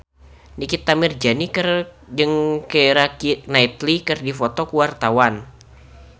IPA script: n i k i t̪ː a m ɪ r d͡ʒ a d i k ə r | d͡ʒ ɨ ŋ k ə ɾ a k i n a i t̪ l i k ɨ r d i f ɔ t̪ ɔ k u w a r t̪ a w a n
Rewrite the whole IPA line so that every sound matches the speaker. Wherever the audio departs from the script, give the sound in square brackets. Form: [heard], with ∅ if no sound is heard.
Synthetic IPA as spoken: n i k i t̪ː a m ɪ r d͡ʒ a [n] i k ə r | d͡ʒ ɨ ŋ k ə ɾ a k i n a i t̪ l i k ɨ r d i f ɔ t̪ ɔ k u w a r t̪ a w a n